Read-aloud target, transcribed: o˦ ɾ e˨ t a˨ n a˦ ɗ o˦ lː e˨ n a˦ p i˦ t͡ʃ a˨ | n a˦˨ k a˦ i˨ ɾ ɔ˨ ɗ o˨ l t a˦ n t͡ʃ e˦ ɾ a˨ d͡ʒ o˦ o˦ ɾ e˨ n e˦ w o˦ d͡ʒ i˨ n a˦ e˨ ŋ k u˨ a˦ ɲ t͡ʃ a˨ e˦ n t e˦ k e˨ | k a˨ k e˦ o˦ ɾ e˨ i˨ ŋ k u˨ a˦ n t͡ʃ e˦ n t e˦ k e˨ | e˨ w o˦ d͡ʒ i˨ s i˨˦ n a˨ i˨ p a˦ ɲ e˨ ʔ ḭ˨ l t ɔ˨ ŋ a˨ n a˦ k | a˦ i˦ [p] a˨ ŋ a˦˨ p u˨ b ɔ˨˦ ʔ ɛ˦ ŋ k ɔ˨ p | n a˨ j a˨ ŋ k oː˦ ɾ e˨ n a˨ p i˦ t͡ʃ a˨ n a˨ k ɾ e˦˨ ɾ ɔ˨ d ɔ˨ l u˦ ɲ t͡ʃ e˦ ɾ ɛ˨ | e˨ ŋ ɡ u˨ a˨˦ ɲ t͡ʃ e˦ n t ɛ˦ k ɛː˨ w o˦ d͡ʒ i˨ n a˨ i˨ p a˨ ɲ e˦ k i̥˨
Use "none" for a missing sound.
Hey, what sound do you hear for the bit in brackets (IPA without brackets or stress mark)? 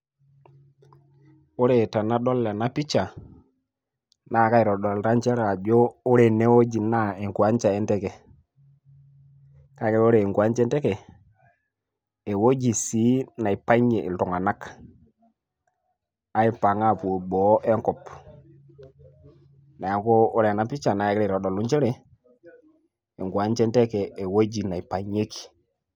p